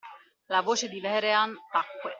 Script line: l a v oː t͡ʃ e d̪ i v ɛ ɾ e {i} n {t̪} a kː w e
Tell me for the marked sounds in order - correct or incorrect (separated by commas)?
incorrect, correct